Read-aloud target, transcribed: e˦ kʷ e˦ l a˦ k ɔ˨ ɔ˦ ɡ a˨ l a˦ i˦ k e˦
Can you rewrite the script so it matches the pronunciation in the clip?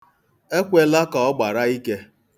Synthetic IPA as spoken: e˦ kʷ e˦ l a˦ k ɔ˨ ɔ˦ ɡ͡b a˨ ɾ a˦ i˦ k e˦